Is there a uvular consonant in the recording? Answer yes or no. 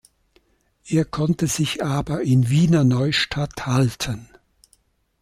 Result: no